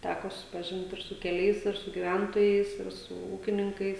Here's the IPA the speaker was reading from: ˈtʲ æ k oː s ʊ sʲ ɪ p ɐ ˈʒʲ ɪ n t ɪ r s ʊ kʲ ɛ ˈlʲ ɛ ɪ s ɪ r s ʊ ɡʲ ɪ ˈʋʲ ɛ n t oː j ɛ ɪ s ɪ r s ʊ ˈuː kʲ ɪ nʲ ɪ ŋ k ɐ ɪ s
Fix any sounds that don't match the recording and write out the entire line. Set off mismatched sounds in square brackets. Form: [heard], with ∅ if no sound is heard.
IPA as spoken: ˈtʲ æ k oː s ʊ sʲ ɪ p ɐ ˈʒʲ ɪ n t ɪ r s ʊ kʲ ɛ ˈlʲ ɛ ɪ s ɪ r s ʊ ɡʲ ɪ ˈʋʲ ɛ n t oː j ɛ ɪ s ɪ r s ʊ ˈuː kʲ ɪ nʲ ɪ ŋ k ɐ ɪ s